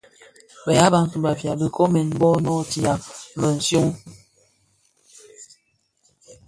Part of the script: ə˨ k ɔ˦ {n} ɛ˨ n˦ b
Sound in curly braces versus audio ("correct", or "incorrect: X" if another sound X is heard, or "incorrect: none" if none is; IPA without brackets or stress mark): incorrect: m